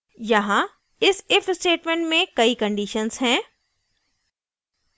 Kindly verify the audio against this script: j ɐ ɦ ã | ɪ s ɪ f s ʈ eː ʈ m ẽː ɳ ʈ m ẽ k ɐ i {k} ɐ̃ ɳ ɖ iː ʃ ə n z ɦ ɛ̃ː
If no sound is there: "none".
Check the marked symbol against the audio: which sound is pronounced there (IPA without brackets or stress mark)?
k